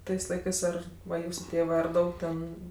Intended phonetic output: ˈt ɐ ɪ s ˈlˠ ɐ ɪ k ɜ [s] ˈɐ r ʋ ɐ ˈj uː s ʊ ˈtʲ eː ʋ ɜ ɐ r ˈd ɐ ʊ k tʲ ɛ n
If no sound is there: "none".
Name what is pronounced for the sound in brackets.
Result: s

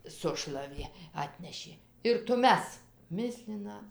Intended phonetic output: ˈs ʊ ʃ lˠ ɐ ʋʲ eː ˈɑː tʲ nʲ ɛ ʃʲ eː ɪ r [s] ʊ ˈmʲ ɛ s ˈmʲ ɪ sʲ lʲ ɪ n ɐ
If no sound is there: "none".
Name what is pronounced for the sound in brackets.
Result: t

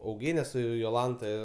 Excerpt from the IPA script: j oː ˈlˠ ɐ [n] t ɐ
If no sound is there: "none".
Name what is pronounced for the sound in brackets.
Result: n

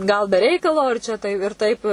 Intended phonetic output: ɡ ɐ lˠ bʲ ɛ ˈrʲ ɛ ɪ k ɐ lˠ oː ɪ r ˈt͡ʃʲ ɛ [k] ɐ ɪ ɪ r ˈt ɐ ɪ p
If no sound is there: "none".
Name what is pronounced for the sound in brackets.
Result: t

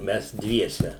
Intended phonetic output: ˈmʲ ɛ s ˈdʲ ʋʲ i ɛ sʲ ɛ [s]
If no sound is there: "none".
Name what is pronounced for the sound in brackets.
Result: none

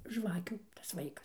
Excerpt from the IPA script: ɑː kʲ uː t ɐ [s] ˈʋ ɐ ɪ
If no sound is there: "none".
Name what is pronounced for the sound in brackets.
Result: s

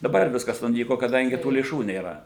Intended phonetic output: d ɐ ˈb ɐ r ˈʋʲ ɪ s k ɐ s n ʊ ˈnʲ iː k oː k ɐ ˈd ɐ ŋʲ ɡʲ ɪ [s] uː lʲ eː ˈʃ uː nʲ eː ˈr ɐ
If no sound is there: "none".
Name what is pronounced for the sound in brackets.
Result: t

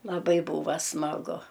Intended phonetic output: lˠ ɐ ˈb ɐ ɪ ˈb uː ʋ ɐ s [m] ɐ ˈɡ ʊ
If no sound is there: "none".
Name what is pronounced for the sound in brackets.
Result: m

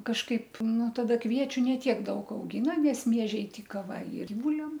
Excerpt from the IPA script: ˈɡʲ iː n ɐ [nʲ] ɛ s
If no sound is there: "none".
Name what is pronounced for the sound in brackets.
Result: nʲ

